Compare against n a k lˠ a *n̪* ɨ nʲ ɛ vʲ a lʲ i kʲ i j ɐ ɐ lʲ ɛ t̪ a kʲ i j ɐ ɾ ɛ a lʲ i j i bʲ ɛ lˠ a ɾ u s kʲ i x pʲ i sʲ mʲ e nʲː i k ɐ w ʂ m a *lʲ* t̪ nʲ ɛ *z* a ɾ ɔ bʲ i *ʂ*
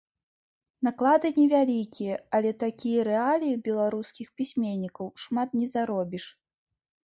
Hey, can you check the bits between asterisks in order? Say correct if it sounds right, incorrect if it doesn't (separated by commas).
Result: incorrect, incorrect, correct, correct